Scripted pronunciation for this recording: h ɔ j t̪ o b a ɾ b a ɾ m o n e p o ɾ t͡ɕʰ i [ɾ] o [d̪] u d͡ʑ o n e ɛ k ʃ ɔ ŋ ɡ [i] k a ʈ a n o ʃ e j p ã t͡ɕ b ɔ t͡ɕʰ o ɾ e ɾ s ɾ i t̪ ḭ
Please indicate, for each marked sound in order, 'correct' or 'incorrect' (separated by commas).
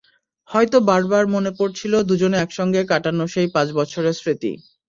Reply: incorrect, correct, incorrect